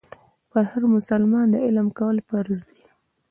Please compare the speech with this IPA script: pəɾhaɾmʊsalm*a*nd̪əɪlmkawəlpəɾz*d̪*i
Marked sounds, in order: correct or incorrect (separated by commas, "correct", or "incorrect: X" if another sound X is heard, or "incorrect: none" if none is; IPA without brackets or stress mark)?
incorrect: ɑ, correct